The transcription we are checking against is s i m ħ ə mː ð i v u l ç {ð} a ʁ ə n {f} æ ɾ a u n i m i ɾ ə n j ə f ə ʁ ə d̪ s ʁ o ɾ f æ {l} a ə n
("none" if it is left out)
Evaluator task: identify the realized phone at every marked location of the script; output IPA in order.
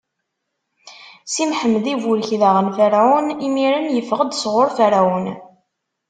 ð, f, ɾ

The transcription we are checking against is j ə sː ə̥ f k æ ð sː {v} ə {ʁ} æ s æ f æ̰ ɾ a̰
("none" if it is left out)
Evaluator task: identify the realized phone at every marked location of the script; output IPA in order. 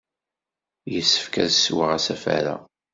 w, ʁ

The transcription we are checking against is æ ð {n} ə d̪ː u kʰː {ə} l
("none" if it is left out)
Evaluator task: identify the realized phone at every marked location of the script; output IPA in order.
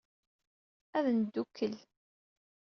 n, ə

